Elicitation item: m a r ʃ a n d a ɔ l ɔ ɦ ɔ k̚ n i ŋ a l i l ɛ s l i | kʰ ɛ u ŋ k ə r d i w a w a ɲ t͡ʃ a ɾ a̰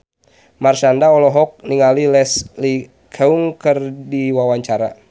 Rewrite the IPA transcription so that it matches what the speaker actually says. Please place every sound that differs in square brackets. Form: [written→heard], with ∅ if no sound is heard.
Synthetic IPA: m a r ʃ a n d a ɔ l ɔ ɦ ɔ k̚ n i ŋ a l i l ɛ s l i | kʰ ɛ u ŋ k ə r d i w a w a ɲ t͡ʃ a ɾ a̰